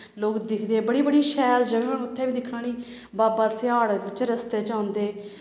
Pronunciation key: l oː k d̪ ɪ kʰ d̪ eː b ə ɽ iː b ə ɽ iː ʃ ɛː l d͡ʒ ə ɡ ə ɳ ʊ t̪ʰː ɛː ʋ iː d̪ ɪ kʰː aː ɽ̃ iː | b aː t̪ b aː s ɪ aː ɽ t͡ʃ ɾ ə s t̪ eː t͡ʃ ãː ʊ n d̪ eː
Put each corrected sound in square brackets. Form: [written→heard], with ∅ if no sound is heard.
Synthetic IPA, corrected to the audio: l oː k d̪ ɪ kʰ d̪ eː b ə ɽ iː b ə ɽ iː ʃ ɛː l d͡ʒ ə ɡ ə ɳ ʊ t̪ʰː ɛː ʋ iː d̪ ɪ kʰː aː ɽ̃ iː | b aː [t̪→∅] b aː s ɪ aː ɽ t͡ʃ ɾ ə s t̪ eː t͡ʃ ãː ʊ n d̪ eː

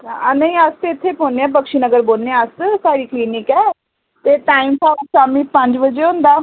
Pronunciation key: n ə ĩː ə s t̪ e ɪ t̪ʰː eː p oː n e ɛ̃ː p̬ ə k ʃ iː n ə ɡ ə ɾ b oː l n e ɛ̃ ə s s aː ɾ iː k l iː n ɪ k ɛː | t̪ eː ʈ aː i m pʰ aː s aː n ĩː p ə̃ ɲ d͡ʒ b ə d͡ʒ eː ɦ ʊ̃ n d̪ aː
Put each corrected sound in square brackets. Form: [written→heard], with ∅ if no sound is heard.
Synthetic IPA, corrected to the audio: n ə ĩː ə s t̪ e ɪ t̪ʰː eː p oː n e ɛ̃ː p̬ ə k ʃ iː n ə ɡ ə ɾ b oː l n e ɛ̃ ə s s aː ɾ iː k l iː n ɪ k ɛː | t̪ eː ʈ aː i m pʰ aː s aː [n→m] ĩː p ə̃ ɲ d͡ʒ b ə d͡ʒ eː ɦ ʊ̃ n d̪ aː

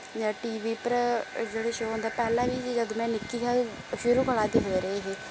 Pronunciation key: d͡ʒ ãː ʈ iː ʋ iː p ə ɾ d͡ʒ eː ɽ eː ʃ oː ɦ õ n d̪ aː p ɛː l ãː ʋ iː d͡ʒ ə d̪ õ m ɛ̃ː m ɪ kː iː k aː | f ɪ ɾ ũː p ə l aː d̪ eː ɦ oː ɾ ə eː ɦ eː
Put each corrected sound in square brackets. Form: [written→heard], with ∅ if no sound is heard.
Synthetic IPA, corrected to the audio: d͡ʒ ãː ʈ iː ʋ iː p ə ɾ d͡ʒ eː ɽ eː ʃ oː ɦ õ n d̪ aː p ɛː l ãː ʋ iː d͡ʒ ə d̪ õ m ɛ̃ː [m→n] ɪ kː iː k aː | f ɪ ɾ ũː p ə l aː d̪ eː ɦ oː ɾ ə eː ɦ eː

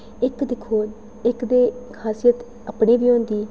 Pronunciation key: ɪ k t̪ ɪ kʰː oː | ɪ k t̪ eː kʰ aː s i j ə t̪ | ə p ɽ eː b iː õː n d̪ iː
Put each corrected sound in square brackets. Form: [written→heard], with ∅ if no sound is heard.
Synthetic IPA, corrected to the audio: ɪ k [t̪→d̪] ɪ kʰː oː | ɪ k [t̪→d̪] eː kʰ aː s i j ə t̪ | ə p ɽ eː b iː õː n d̪ iː

